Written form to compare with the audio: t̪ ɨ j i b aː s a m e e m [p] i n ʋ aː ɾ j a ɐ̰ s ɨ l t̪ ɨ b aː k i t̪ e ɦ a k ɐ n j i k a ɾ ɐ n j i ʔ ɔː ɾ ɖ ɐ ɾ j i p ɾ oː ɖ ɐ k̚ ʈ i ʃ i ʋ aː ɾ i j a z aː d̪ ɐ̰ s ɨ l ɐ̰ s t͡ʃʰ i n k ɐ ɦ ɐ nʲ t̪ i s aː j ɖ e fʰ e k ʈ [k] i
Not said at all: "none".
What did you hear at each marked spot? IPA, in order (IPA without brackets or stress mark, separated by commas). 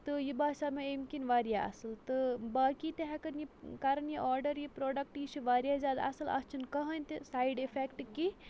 k, k